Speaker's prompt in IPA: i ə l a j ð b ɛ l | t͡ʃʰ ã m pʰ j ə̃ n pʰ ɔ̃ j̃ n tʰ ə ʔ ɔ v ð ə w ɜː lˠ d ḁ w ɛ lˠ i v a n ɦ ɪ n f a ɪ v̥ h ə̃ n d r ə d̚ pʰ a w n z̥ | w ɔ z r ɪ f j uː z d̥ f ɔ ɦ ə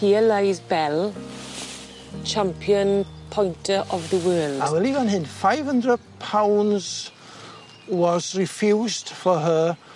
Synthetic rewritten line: i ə l a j z b ɛ l | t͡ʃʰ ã m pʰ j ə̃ n pʰ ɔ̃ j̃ n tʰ ə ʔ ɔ v ð ə w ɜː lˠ d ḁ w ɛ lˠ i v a n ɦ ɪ n f a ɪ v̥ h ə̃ n d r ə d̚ pʰ a w n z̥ | w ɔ z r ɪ f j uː z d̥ f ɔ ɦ ə